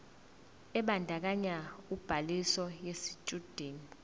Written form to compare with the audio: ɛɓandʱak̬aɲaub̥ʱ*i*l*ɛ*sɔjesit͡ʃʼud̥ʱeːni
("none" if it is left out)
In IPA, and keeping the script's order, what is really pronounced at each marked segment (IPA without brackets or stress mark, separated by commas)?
a, i